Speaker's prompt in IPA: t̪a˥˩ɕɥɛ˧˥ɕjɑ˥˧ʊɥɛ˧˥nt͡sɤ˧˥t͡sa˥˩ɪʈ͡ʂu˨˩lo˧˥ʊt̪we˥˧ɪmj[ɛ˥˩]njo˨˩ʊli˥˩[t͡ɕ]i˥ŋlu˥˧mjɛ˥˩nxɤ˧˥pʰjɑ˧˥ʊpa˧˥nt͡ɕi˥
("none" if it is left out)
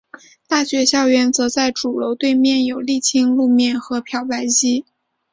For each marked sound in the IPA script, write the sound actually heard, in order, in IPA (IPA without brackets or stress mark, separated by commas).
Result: ɛ˥˩, t͡ɕʰ